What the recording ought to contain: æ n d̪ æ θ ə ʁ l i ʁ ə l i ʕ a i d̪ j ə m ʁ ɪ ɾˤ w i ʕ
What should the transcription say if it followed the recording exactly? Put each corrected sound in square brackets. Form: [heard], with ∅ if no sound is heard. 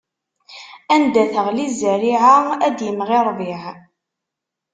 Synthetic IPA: æ n d̪ æ θ ə ʁ l i [z] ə [ɾ] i ʕ a [æ] d̪ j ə m ʁ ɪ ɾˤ [v] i ʕ

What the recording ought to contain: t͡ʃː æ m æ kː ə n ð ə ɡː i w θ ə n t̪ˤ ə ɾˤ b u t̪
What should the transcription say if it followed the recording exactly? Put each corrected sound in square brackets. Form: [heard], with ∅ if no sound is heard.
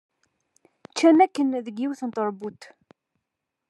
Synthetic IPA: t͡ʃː æ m æ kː ə n ð ə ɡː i w θ ə n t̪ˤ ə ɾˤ b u t̪

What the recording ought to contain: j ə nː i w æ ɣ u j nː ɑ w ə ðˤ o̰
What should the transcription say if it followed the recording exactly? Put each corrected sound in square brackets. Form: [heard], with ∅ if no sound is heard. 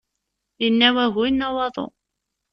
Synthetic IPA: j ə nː [æ] w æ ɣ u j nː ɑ w [ɑ] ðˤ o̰

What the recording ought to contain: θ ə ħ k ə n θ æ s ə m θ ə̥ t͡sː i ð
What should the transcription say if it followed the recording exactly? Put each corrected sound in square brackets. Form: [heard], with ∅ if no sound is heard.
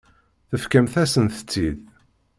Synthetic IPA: θ ə [f] k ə [m] θ æ s ə [n] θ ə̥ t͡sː i ð

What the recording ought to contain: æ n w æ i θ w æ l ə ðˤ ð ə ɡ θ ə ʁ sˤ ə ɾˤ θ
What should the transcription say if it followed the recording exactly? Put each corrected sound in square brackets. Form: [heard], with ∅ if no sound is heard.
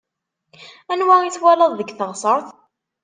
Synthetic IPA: æ n w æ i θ w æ l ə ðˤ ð ə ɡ θ ə ʁ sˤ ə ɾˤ θ

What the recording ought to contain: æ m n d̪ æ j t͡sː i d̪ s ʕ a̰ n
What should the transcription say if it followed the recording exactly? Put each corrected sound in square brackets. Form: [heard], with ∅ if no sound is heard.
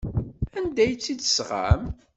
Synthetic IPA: æ [∅] n d̪ æ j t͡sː i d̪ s [ʁ] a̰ [m]

